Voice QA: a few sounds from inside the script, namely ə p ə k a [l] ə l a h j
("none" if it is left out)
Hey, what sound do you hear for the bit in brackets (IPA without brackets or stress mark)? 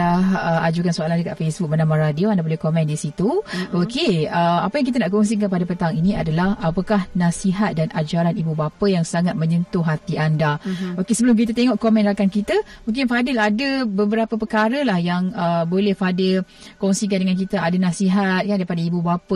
ɾ